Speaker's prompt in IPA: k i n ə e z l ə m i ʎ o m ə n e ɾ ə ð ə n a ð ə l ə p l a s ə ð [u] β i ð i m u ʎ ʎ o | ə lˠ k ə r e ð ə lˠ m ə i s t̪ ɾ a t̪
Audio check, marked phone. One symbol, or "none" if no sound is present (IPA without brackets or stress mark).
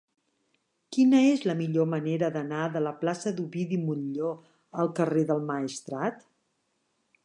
u